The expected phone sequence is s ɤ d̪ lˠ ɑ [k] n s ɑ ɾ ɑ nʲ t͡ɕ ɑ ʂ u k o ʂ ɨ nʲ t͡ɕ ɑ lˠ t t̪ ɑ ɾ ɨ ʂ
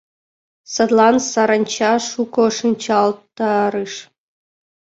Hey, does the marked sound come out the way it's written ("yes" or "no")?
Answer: no